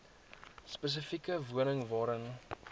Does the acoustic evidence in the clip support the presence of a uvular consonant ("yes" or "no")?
no